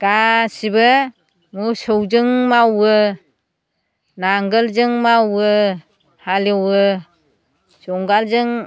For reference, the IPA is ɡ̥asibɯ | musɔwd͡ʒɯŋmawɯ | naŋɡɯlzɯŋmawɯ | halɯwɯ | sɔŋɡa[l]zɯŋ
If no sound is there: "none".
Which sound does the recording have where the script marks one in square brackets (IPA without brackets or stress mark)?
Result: l